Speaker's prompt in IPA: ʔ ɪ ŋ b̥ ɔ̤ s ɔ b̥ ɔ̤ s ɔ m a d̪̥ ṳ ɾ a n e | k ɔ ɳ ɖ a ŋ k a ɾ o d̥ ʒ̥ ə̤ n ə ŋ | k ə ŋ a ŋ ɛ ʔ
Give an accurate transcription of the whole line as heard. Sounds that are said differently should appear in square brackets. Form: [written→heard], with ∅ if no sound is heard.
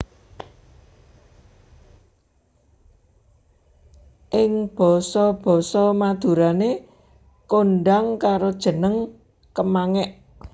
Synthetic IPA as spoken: ʔ ɪ ŋ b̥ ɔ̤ s ɔ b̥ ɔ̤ s ɔ m a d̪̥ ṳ ɾ a n e | k [ɔ→o] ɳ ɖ a ŋ k a ɾ o d̥ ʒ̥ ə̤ n ə ŋ | k ə [ŋ→m] a ŋ ɛ ʔ